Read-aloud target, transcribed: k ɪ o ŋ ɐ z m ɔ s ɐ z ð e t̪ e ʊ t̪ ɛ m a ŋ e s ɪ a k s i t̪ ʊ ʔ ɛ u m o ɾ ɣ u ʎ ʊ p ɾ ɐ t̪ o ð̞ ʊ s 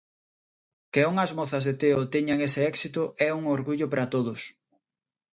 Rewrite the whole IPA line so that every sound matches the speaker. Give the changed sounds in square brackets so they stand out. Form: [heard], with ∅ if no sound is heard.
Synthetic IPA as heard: k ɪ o ŋ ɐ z m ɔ [θ] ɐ z ð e t̪ e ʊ t̪ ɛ [ɲ] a ŋ e s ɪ [ɛ] k s i t̪ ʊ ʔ ɛ u [ŋ] o ɾ ɣ u ʎ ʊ p ɾ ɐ t̪ o ð̞ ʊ s